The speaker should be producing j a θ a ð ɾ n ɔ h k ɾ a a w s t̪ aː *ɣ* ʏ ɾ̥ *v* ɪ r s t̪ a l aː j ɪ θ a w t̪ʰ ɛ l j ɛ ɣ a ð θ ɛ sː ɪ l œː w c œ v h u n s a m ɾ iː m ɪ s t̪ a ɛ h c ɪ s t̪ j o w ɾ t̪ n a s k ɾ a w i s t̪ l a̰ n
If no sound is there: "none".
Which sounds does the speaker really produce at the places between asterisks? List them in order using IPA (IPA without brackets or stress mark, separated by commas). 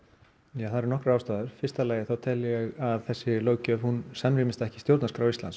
ð, f